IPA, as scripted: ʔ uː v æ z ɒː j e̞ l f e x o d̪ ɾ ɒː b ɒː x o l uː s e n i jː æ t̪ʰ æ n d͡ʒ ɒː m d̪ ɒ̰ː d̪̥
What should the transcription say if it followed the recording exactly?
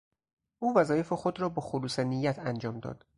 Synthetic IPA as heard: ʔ uː v æ z ɒː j e̞ f e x o d̪ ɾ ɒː b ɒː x o l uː s e n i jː æ t̪ʰ æ n d͡ʒ ɒː m d̪ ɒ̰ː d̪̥